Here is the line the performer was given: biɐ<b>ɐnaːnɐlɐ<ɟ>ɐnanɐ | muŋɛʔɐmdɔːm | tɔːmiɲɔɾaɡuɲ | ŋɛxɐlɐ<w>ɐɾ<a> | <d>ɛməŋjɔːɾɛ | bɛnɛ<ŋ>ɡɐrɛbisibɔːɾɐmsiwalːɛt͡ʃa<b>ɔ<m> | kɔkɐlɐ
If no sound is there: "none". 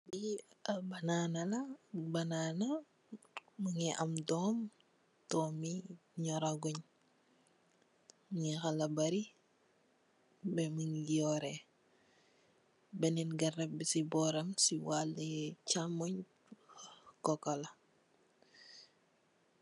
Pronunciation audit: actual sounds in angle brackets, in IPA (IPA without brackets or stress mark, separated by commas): b, b, b, i, b, n, m, ɲ